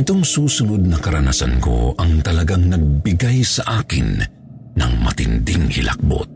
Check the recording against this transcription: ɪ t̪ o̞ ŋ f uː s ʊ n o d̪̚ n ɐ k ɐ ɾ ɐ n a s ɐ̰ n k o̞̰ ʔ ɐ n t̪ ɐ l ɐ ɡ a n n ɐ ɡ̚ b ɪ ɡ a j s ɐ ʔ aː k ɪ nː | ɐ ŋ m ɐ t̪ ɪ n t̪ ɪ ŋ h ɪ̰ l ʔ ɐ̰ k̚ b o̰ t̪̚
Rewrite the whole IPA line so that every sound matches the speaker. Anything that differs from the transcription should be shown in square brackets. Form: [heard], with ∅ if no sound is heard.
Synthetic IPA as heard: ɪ t̪ o̞ ŋ [s] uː s ʊ n o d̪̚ n ɐ k ɐ ɾ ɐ n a s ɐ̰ n k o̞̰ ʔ ɐ [ŋ] t̪ ɐ l ɐ ɡ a [ŋ] n ɐ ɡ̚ b ɪ ɡ a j s ɐ ʔ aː k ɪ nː | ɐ ŋ m ɐ t̪ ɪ n [d̪] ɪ ŋ h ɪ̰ l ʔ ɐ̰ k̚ b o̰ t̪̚